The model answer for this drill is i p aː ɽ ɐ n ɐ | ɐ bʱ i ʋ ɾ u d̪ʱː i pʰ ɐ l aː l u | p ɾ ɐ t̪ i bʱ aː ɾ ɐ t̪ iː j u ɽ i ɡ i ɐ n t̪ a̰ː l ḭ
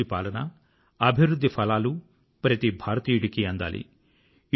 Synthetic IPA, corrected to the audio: i p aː l ɐ n ɐ | ɐ bʱ i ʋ ɾ u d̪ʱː i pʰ ɐ l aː l u | p ɾ ɐ t̪ i bʱ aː ɾ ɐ t̪ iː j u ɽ i k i ɐ n d̪ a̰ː l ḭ

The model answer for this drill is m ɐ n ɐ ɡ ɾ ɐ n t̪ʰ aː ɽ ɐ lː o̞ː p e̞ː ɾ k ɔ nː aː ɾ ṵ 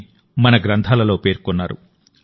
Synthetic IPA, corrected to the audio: m ɐ n ɐ ɡ ɾ ɐ n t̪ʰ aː l ɐ l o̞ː p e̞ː ɾ k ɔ nː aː ɾ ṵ

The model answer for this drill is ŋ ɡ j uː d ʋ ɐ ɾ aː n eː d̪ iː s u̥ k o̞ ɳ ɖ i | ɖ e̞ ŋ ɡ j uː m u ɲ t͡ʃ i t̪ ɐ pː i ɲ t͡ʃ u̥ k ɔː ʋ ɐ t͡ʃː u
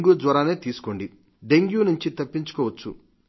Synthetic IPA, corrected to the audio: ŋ ɡ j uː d ʋ ɐ ɾ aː n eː t̪ iː s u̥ k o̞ ɳ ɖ i | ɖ e̞ ŋ ɡ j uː n u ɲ t͡ʃ i t̪ ɐ pː i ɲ t͡ʃ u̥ k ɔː ʋ ɐ t͡ʃː u

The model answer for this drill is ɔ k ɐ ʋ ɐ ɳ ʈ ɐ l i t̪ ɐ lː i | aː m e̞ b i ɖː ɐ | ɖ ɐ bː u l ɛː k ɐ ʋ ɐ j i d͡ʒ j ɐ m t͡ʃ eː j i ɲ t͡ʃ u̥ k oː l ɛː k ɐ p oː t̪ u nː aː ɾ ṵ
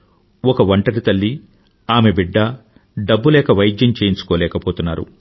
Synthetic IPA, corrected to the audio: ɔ k ɐ ʋ ɐ ɳ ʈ ɐ ɾ i t̪ ɐ lː i | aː m e̞ b i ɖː ɐ | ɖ ɐ bː u l ɛː k ɐ ʋ ɐ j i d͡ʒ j ɐ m t͡ʃ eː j i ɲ t͡ʃ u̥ k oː l ɛː k ɐ p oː t̪ u nː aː ɾ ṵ

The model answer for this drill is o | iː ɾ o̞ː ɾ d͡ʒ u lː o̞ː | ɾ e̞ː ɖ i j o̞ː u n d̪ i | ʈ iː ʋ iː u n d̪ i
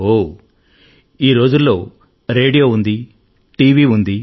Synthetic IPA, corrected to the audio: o | iː ɾ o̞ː d͡ʒ u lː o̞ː | ɾ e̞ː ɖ i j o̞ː u n d̪ i | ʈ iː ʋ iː u n d̪ i

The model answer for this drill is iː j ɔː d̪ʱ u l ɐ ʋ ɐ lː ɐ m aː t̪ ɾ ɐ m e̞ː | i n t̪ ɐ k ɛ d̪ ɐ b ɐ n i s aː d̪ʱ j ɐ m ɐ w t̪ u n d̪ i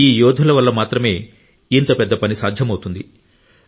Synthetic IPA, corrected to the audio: iː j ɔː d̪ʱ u l ɐ ʋ ɐ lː ɐ m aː t̪ ɾ ɐ m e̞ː | i n t̪ ɐ p ɛ d̪ː ɐ p ɐ n i s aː d̪ʱ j ɐ m ɐ w t̪ u n d̪ i

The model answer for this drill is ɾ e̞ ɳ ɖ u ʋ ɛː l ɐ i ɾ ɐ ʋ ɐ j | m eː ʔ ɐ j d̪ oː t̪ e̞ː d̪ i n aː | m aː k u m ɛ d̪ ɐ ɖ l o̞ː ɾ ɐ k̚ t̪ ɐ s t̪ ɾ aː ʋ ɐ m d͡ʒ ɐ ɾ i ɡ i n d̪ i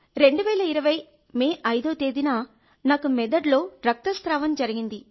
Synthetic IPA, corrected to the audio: ɾ e̞ ɳ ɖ u ʋ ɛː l ɐ i ɾ ɐ ʋ ɐ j | m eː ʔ ɐ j d̪ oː t̪ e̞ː d̪ i n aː | n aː k u m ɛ d̪ ɐ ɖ l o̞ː ɾ ɐ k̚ t̪ ɐ s t̪ ɾ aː ʋ ɐ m d͡ʒ ɐ ɾ i ɡ i n d̪ i

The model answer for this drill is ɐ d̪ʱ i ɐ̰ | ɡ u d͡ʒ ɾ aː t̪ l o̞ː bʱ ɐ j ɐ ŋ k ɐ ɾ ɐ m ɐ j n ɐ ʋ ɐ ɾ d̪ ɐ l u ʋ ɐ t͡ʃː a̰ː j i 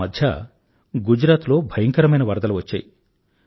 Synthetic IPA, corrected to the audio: ɐ d̪ʱ j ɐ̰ | ɡ u d͡ʒ ɾ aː t̪ l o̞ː bʱ ɐ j ɐ ŋ k ɐ ɾ ɐ m ɐ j n ɐ ʋ ɐ ɾ d̪ ɐ l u ʋ ɐ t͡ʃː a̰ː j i

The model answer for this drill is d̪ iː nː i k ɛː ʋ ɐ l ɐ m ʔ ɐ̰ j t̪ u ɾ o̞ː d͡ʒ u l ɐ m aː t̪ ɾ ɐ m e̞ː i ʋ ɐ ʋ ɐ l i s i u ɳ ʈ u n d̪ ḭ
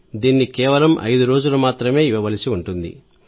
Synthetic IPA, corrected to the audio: d̪ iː nː i k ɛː ʋ ɐ l ɐ m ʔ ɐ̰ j d̪ u ɾ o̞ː d͡ʒ u l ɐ m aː t̪ ɾ ɐ m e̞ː i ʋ ɐ ʋ ɐ l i s i u ɳ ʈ u n d̪ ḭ

